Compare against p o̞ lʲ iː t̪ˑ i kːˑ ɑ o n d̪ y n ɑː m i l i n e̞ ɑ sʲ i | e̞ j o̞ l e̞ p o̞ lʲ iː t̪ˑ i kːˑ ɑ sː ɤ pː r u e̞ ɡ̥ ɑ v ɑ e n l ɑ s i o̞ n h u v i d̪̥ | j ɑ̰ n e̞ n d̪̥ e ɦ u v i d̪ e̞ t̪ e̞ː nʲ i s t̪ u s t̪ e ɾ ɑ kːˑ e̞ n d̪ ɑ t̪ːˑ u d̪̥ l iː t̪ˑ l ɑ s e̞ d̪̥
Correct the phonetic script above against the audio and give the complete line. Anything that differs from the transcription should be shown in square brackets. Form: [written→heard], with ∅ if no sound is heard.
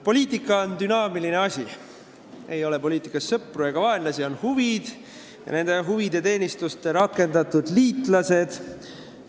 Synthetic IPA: p o̞ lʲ iː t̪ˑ i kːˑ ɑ o n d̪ y n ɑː m i l i n e̞ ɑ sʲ i | e̞ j o̞ l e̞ p o̞ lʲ iː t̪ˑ i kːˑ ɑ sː ɤ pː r u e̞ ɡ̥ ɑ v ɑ e n l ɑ s i o̞ n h u v i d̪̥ | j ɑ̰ n e̞ n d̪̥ e ɦ u v i d̪ e̞ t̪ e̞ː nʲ i s t̪ u s t̪ e ɾ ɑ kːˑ e̞ n d̪ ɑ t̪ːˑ u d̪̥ l iː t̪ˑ l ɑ s e̞ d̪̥